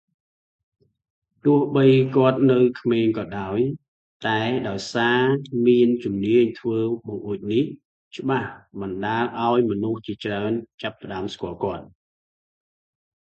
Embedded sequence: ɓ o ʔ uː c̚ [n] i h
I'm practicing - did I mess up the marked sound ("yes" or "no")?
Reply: no